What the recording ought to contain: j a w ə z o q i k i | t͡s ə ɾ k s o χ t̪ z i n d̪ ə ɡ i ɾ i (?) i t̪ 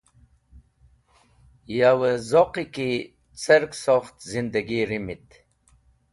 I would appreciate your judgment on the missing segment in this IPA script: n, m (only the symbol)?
m